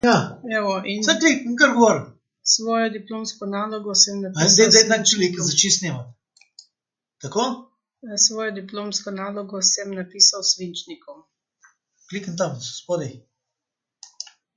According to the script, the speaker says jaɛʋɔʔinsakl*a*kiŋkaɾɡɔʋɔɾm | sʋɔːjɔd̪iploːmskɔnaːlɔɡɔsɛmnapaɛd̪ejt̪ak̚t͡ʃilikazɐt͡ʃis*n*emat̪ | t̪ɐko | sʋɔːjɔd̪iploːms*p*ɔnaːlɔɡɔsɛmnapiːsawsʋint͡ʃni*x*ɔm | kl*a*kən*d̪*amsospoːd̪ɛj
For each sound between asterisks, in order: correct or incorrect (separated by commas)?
incorrect, correct, incorrect, incorrect, incorrect, incorrect